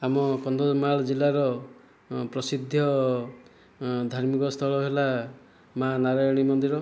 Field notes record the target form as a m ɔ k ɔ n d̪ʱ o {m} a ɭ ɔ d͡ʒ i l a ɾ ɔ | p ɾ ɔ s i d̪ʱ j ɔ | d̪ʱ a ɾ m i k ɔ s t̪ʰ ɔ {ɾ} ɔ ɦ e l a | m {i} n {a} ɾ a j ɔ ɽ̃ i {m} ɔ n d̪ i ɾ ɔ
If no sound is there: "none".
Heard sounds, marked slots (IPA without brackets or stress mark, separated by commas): m, ɭ, a, a, m